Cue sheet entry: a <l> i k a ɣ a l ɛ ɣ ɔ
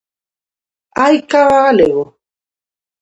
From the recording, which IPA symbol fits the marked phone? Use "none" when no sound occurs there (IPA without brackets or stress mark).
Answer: none